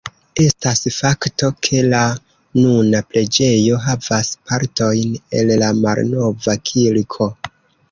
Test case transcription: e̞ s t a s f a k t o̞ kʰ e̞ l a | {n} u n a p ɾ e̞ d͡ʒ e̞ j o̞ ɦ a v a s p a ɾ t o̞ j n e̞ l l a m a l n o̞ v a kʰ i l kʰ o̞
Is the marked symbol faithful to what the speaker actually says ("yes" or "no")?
yes